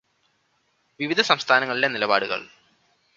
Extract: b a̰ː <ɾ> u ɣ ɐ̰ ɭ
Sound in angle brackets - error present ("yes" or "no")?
yes